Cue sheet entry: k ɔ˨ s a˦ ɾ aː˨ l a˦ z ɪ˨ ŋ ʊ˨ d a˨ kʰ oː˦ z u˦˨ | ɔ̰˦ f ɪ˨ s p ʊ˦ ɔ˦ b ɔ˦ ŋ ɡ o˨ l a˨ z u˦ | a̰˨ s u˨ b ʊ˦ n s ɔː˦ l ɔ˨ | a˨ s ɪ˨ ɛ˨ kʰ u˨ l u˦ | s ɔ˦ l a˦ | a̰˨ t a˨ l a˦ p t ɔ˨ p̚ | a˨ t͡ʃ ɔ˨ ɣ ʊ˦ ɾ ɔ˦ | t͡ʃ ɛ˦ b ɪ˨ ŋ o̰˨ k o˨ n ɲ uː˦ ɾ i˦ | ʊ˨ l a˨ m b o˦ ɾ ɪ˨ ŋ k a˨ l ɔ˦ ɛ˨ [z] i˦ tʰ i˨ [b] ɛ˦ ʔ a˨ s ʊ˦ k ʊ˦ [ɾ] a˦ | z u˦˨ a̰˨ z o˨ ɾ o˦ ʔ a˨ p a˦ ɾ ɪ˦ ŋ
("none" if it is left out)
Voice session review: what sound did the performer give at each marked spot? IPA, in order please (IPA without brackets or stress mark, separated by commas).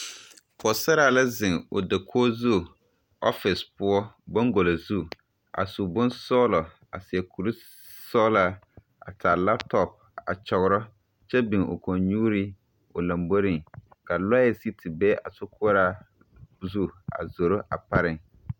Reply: s, b, ɾ